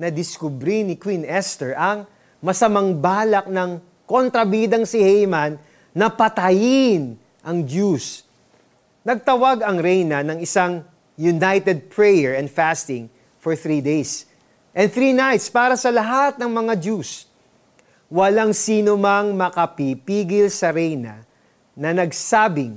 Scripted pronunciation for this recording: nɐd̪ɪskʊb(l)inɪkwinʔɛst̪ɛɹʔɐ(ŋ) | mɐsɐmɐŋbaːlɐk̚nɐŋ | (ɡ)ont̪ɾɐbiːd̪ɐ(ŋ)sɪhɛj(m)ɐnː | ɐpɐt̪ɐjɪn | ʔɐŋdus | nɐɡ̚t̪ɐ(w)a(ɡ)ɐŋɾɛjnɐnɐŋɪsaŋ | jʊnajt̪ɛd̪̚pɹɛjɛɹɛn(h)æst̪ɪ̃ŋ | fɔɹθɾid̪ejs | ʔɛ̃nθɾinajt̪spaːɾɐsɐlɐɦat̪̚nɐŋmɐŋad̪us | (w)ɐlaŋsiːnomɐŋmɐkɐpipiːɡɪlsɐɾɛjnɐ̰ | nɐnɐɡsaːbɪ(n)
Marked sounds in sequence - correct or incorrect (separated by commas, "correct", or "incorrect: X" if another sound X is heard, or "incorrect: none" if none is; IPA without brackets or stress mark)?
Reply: incorrect: ɾ, correct, incorrect: k, correct, correct, correct, correct, incorrect: f, correct, incorrect: ŋ